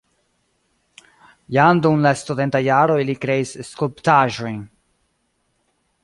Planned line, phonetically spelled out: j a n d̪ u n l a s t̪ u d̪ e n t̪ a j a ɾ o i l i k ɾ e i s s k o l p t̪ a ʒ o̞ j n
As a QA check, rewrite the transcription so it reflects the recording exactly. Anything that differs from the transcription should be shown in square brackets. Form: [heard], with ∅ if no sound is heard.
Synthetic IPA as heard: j a n d̪ u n l a s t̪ u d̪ e n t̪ a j a ɾ o i l i k ɾ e i s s k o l p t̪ a ʒ o̞ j n